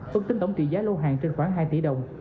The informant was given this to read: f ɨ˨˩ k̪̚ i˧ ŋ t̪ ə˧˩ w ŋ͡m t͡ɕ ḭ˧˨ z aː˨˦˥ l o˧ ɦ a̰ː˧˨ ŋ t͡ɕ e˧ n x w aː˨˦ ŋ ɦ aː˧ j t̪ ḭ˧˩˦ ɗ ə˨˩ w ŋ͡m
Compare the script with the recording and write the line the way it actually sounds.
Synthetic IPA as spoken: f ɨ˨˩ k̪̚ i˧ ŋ t̪ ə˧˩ w ŋ͡m t͡ɕ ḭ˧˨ z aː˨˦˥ l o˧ ɦ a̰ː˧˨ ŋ t͡ɕ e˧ n x w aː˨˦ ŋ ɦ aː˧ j t̪ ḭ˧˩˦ ɗ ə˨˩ w ŋ͡m